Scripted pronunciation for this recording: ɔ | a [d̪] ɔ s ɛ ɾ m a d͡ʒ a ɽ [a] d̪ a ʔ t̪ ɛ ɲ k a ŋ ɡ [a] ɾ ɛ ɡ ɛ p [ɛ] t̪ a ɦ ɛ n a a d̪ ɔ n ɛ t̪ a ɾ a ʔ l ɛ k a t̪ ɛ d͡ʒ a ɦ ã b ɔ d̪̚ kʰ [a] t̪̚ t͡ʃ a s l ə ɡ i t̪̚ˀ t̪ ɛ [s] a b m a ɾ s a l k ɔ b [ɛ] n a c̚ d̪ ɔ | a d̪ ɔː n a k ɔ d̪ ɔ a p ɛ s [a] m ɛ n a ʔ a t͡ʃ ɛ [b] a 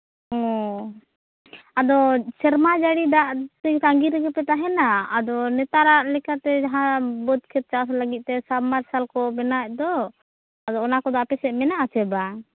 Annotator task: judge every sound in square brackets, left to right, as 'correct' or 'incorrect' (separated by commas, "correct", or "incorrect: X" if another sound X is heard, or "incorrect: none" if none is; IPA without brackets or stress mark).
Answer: correct, incorrect: i, incorrect: i, correct, incorrect: ɛ, correct, correct, incorrect: ɛ, correct